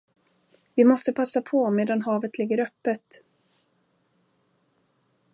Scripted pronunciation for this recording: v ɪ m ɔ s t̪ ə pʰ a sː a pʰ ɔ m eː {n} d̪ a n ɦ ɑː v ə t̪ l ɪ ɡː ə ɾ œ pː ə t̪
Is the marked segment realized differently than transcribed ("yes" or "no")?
yes